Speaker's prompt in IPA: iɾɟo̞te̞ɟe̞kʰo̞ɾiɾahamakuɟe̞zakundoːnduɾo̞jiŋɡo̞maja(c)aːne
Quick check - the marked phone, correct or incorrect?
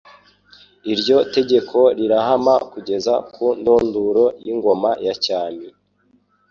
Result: correct